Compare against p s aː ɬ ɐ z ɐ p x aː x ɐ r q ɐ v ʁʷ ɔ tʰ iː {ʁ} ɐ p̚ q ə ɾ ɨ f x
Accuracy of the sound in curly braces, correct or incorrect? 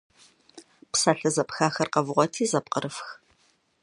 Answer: incorrect: z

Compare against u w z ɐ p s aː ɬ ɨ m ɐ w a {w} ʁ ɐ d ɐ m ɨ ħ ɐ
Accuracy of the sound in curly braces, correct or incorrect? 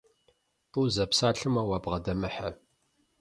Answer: incorrect: b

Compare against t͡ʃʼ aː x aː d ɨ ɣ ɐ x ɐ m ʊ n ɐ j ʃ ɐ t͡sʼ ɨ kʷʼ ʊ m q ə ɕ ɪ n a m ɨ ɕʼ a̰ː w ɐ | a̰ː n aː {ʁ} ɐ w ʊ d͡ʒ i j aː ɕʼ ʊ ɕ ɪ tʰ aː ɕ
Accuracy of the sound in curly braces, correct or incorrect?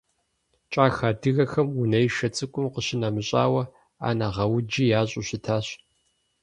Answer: correct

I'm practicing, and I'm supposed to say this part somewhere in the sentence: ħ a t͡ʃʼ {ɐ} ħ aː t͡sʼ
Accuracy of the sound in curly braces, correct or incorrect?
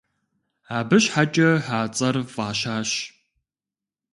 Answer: correct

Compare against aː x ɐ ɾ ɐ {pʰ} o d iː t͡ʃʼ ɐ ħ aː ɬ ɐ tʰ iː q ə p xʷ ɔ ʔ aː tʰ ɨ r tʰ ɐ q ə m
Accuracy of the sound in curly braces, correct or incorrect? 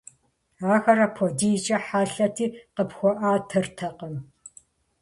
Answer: correct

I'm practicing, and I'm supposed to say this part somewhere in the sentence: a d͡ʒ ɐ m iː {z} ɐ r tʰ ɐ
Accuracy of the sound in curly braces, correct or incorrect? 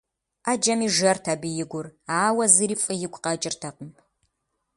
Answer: incorrect: ʒ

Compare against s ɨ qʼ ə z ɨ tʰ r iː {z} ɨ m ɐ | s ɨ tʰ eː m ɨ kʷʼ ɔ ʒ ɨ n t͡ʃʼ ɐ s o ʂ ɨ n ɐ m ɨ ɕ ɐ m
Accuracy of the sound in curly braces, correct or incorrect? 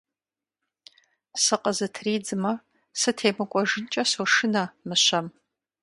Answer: incorrect: d͡z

